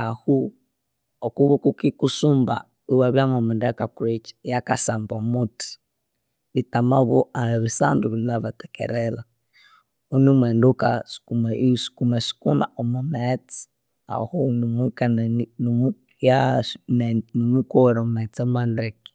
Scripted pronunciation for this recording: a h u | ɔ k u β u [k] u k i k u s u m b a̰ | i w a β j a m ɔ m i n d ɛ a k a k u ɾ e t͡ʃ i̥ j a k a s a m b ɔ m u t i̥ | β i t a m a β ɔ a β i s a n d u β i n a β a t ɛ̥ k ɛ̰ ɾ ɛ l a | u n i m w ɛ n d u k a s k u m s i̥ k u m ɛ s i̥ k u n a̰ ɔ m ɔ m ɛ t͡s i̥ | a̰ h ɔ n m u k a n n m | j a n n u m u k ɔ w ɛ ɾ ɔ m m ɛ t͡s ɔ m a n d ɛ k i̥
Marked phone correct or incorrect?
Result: correct